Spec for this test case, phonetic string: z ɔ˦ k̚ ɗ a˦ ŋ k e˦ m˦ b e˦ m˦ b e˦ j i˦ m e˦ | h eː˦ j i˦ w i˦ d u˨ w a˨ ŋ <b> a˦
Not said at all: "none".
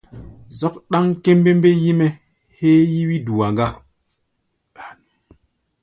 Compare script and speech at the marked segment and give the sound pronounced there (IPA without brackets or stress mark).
ɡ